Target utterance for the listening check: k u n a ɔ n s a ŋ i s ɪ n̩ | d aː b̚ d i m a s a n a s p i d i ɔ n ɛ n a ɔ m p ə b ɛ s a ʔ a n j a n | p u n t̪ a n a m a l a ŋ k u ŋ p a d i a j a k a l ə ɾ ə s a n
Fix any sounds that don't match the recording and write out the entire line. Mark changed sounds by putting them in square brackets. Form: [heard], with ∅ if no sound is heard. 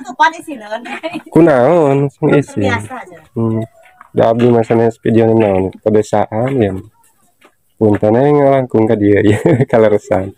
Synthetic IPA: k u n a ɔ n s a ŋ i s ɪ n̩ | d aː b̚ d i m a s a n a s p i d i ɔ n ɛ n a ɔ [n] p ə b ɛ s a ʔ a n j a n | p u n t̪ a n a [ŋ] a l a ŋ k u ŋ [k] a d i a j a k a l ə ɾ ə s a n